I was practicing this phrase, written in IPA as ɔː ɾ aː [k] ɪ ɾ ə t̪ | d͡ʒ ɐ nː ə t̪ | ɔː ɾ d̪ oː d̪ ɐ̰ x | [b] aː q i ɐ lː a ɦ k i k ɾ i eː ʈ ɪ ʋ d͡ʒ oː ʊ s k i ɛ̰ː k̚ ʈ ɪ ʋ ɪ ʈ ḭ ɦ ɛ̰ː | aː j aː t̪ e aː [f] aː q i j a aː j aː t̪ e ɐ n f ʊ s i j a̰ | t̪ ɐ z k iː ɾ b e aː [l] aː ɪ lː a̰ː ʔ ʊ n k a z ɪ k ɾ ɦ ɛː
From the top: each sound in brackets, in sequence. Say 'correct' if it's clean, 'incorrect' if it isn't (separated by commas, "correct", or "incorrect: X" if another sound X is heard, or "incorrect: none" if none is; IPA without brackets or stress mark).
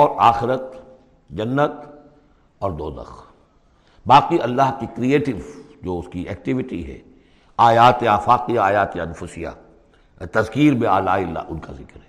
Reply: incorrect: x, correct, correct, correct